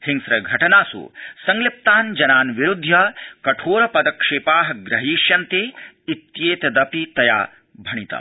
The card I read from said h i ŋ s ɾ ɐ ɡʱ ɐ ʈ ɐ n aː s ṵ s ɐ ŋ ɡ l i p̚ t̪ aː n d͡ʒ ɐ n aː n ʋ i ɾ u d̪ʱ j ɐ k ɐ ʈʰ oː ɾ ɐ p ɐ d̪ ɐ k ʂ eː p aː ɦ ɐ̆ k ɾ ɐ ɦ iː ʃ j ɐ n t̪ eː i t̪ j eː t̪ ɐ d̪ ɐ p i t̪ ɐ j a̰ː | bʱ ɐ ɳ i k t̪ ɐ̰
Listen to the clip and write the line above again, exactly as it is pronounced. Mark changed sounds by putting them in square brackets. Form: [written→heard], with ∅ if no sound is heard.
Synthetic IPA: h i ŋ s ɾ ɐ ɡʱ ɐ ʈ ɐ n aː s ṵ s ɐ ŋ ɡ l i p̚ t̪ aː n d͡ʒ ɐ n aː n ʋ i ɾ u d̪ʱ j ɐ k ɐ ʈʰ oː ɾ ɐ p ɐ d̪ ɐ k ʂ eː p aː ɦ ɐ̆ [k→ɡ] ɾ ɐ ɦ iː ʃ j ɐ n t̪ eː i t̪ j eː t̪ ɐ d̪ ɐ p i t̪ ɐ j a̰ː | bʱ ɐ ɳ i [k→∅] t̪ ɐ̰